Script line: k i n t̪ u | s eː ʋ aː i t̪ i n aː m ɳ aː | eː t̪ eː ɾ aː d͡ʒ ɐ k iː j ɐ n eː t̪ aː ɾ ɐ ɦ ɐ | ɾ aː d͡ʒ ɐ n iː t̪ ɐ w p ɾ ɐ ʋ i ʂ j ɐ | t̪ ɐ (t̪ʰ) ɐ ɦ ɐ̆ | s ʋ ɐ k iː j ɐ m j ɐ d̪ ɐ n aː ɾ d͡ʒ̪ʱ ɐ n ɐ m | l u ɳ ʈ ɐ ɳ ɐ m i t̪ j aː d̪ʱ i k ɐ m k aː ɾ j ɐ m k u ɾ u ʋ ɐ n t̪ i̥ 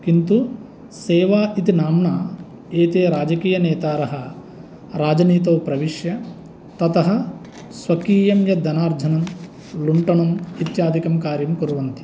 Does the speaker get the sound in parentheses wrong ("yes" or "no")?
yes